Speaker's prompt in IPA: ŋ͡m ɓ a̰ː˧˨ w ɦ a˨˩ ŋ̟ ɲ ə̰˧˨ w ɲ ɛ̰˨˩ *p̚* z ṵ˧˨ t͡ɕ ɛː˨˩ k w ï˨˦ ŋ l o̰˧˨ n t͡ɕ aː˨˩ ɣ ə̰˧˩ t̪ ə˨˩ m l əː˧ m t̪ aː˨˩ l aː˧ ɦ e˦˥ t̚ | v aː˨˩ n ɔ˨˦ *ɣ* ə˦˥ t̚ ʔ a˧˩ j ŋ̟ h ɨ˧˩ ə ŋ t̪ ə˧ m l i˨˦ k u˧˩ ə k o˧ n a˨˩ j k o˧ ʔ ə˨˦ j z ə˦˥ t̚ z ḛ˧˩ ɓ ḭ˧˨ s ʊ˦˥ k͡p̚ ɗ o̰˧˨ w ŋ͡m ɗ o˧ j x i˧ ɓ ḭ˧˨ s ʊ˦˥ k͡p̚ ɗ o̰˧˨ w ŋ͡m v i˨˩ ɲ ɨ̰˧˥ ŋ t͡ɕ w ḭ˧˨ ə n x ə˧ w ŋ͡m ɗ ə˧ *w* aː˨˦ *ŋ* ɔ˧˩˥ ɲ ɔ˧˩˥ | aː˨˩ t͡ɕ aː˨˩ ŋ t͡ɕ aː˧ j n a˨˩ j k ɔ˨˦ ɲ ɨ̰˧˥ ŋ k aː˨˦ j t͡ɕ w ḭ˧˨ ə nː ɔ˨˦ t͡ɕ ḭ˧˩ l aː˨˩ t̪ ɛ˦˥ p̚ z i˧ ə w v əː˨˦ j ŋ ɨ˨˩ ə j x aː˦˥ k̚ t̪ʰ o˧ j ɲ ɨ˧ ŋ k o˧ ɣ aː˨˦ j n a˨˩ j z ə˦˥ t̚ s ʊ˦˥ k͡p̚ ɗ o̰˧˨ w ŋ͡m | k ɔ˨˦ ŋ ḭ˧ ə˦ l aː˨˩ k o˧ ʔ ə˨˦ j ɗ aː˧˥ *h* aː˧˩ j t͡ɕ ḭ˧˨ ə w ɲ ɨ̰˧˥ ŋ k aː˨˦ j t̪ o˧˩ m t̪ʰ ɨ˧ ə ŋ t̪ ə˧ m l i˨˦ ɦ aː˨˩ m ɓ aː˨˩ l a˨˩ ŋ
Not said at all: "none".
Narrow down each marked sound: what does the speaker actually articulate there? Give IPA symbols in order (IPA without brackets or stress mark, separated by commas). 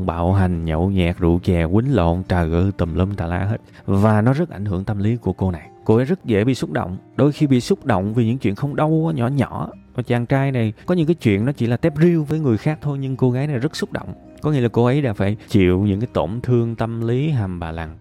k̚, z, w, ɲ, f